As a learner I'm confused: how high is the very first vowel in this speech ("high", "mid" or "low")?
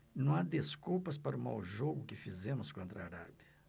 low